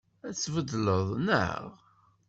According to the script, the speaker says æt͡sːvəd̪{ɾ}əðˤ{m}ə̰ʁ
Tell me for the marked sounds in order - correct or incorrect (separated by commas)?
incorrect, incorrect